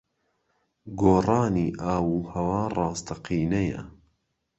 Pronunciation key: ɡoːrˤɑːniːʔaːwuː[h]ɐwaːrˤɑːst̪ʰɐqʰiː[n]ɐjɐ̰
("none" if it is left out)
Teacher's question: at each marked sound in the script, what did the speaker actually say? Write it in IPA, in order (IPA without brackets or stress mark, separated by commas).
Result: h, n